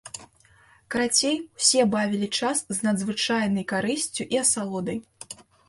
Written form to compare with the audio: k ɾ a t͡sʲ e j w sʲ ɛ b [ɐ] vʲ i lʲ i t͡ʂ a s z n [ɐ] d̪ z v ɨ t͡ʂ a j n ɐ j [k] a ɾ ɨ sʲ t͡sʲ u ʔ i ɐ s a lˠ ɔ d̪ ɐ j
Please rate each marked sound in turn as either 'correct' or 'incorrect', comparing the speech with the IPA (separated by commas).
incorrect, correct, correct